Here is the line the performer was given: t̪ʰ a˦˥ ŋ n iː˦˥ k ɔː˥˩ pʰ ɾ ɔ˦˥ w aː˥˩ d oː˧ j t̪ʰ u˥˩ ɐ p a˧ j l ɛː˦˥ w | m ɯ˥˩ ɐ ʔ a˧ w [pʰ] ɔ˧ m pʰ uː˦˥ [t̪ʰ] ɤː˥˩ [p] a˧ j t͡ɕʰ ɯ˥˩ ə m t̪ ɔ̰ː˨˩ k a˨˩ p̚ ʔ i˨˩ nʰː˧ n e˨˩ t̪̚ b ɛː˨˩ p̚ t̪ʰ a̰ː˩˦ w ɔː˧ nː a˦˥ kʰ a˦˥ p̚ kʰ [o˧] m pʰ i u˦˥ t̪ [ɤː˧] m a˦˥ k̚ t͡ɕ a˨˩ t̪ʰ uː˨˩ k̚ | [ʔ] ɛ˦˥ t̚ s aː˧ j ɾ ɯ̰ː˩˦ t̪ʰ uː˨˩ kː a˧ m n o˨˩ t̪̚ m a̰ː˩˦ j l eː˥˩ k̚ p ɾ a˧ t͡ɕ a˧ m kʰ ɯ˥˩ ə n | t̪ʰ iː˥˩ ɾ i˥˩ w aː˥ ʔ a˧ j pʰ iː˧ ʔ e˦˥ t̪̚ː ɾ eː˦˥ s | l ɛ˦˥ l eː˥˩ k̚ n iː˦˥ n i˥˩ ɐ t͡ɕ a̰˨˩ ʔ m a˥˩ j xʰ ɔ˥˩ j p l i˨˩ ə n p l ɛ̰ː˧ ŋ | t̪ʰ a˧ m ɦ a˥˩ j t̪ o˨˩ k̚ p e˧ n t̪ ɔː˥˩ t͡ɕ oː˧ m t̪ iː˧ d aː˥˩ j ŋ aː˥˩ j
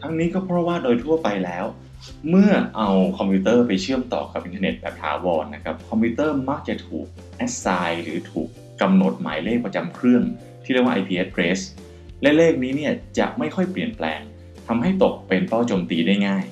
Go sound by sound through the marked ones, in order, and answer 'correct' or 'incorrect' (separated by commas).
incorrect, incorrect, correct, incorrect, incorrect, correct